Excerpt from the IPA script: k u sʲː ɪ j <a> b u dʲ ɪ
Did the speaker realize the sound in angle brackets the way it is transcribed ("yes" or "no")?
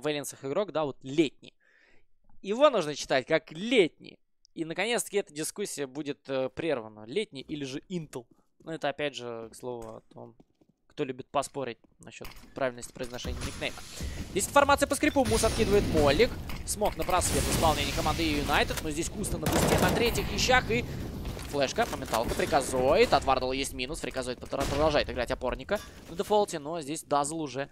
no